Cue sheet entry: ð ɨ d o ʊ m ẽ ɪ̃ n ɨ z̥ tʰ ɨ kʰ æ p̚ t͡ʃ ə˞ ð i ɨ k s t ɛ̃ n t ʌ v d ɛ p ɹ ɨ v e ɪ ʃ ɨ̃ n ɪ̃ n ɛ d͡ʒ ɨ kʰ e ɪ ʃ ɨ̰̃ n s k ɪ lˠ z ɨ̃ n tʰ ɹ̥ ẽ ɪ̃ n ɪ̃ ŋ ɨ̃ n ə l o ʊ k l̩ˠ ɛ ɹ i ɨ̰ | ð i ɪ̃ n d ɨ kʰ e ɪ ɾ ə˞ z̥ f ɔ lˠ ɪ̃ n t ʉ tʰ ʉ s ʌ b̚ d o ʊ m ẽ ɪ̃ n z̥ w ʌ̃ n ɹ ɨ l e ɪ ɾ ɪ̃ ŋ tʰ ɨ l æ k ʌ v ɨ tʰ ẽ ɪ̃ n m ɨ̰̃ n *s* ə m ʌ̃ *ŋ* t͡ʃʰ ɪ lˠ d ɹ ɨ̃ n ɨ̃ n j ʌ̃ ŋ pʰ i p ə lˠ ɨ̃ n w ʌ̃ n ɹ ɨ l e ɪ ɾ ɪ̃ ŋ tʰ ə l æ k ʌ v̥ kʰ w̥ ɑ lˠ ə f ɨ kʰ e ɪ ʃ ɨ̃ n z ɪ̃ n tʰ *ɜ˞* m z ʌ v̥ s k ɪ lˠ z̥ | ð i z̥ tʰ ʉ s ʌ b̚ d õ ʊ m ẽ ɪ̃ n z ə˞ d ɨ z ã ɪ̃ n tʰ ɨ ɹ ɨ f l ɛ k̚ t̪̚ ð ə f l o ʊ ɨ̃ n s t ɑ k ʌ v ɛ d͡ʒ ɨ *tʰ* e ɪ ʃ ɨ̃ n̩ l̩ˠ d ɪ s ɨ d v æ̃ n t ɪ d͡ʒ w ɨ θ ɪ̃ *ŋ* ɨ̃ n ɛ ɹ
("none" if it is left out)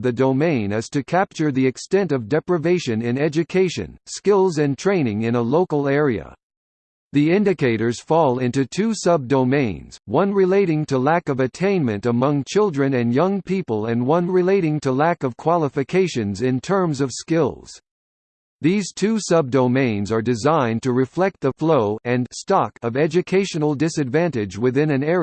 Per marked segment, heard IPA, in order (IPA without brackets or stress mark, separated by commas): t, ŋ, ɜ̃˞, kʰ, n